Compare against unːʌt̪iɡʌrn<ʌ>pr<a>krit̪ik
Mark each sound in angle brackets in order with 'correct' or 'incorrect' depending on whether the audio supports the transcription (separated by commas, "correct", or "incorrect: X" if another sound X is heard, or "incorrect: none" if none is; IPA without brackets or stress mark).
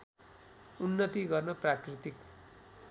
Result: correct, correct